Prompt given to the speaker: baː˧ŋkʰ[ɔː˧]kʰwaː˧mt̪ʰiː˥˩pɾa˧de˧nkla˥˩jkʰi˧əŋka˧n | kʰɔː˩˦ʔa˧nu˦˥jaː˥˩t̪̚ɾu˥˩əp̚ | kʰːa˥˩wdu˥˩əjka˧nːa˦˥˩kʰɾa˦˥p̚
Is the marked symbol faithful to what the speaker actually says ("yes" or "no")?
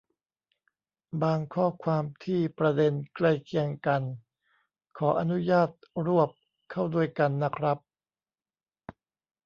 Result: no